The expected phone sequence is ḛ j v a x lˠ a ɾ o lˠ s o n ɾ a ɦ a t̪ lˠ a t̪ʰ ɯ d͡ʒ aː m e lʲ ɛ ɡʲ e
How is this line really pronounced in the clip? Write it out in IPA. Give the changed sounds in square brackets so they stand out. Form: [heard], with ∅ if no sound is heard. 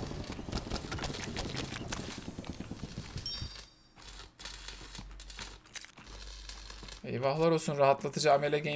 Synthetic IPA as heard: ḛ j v a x lˠ a ɾ o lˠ s [u] n ɾ a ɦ a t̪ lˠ a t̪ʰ ɯ d͡ʒ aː m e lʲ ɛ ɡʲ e

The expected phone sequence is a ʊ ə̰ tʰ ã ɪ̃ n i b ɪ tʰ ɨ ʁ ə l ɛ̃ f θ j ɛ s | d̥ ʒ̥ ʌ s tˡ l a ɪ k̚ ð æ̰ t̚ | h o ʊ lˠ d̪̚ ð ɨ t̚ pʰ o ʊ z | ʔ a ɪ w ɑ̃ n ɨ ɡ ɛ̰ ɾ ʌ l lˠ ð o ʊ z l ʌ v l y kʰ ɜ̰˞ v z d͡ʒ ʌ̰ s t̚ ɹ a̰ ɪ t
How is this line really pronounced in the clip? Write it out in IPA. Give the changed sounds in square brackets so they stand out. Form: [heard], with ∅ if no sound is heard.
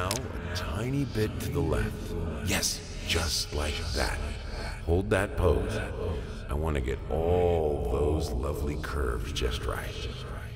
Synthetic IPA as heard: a ʊ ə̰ tʰ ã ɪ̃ n i b ɪ tʰ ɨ [ð] ə l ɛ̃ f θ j ɛ s | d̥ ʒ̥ ʌ s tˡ l a ɪ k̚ ð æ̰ t̚ | h o ʊ lˠ d̪̚ ð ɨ t̚ pʰ o ʊ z | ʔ a ɪ w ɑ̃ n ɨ ɡ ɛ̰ ɾ [ɔ] l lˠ ð o ʊ z l ʌ v l [i] kʰ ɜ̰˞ v z d͡ʒ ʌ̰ s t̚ ɹ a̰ ɪ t

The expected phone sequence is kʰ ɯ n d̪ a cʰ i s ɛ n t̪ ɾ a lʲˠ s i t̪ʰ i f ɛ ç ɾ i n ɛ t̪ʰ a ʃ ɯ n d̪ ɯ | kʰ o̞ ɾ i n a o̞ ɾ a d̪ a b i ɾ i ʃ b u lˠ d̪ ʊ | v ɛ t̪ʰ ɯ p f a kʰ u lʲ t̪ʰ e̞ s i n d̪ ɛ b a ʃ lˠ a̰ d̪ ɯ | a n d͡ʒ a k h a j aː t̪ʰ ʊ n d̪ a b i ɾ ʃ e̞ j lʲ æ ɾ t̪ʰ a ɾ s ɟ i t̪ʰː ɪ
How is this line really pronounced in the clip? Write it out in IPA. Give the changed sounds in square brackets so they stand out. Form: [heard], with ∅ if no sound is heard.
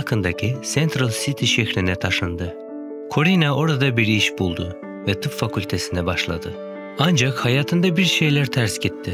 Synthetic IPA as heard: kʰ ɯ n d̪ a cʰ i s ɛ n t̪ ɾ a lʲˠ s i t̪ʰ i [ʃ] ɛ ç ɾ i n ɛ t̪ʰ a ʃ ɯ n d̪ ɯ | kʰ o̞ ɾ i n a o̞ ɾ a d̪ a b i ɾ i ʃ b u lˠ d̪ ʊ | v ɛ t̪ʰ ɯ p f a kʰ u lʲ t̪ʰ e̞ s i n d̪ ɛ b a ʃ lˠ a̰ d̪ ɯ | a n d͡ʒ a k h a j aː t̪ʰ [ɯ] n d̪ a b i ɾ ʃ e̞ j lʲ æ ɾ t̪ʰ [æ] ɾ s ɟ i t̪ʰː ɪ

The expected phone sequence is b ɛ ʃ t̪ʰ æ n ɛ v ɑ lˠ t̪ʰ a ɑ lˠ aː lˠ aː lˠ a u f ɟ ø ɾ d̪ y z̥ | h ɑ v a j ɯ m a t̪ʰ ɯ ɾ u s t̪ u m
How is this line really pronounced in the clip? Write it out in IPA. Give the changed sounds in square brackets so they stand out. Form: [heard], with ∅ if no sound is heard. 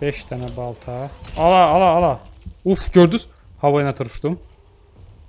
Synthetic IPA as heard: b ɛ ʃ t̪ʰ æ n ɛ [b] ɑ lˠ t̪ʰ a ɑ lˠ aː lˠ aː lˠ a u f ɟ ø ɾ d̪ y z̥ | h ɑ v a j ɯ [n] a t̪ʰ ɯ ɾ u [ʃ] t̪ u m

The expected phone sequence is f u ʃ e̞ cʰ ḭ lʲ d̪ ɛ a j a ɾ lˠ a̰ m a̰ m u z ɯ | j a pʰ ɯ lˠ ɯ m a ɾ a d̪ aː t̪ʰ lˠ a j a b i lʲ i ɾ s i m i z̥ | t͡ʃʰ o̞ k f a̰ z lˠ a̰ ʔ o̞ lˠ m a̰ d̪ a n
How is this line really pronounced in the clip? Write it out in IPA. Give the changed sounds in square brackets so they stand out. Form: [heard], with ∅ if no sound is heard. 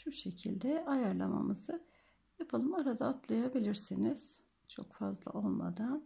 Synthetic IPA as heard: [ʃ] u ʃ e̞ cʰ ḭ lʲ d̪ ɛ a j a ɾ lˠ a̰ m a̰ m [ɯ] z ɯ | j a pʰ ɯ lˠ ɯ m a ɾ a d̪ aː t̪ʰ lˠ a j a b i lʲ i ɾ s i [n] i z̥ | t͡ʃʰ o̞ k f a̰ z lˠ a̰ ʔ o̞ lˠ m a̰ d̪ a n

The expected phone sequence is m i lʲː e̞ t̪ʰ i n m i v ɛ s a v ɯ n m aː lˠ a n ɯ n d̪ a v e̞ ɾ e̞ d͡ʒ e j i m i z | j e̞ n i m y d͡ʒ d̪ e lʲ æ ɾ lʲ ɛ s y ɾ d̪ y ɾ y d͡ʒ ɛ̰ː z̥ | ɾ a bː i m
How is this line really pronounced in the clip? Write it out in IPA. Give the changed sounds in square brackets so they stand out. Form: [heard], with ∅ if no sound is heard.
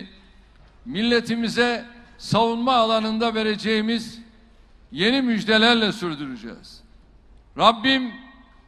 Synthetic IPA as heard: m i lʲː e̞ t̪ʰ i [∅] m i [z] ɛ s a v [u] n m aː lˠ a n ɯ n d̪ a v e̞ ɾ e̞ d͡ʒ e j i m i z | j e̞ n i m y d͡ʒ d̪ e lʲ æ ɾ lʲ ɛ s y ɾ d̪ y ɾ y d͡ʒ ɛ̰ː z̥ | ɾ a bː i m

